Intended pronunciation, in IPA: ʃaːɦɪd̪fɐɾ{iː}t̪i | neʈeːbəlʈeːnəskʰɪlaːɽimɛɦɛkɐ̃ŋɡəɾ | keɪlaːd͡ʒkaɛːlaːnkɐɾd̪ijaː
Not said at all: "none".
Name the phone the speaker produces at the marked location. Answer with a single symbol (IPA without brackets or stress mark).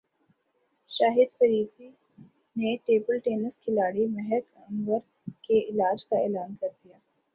iː